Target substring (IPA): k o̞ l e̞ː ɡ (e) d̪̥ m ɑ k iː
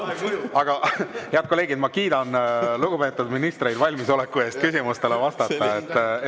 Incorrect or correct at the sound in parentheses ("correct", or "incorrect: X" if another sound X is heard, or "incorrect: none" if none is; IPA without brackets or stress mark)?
incorrect: i